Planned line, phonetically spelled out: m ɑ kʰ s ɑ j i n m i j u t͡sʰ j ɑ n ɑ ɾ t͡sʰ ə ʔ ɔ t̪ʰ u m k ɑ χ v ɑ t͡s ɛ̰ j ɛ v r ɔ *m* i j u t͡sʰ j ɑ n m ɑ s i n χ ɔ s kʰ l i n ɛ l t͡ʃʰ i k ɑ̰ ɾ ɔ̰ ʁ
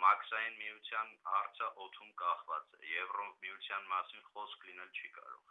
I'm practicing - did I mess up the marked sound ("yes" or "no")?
no